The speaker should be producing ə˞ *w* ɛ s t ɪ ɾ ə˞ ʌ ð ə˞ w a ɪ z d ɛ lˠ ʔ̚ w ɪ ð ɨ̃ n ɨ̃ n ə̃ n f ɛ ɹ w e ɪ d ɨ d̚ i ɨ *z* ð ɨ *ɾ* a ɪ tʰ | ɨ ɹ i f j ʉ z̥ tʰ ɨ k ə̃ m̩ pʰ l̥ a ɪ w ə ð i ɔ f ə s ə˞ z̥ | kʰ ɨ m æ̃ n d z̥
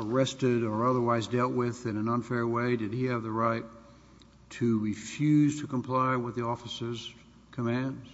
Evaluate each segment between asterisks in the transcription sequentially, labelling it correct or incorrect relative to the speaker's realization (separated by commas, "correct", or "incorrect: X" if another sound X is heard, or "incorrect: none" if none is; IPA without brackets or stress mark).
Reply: incorrect: none, incorrect: v, incorrect: ɹ